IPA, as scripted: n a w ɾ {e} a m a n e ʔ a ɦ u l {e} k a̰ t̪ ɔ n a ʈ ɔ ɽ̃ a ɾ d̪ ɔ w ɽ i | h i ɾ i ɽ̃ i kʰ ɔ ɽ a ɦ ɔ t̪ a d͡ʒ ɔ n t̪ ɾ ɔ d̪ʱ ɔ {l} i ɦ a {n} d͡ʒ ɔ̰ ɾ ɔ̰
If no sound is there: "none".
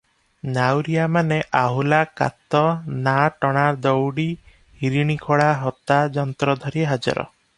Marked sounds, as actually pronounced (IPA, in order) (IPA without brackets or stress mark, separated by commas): i, a, ɾ, none